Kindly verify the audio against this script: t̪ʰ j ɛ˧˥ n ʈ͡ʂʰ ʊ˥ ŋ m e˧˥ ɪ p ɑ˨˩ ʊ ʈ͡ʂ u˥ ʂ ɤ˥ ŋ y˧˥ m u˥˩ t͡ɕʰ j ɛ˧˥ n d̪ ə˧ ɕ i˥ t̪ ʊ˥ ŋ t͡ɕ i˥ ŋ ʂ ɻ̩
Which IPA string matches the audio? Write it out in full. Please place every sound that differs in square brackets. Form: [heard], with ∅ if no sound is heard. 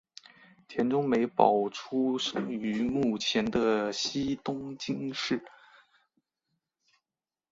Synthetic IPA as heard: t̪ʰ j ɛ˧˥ n [ʈ͡ʂ] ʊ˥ ŋ m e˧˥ ɪ p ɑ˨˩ ʊ [ʈ͡ʂʰ] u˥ ʂ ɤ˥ ŋ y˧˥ m u˥˩ t͡ɕʰ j ɛ˧˥ n d̪ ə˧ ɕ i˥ t̪ ʊ˥ ŋ t͡ɕ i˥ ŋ ʂ ɻ̩